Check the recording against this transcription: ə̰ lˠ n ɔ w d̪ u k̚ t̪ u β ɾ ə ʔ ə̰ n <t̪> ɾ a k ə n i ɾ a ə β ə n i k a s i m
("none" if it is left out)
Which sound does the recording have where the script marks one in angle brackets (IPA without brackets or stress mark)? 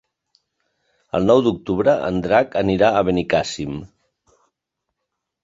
d̪